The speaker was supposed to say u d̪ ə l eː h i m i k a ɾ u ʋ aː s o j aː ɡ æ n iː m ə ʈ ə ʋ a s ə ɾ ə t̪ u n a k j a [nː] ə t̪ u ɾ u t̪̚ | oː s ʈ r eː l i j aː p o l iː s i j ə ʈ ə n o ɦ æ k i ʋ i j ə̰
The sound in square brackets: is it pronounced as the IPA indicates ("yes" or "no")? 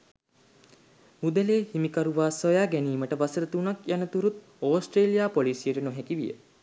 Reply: no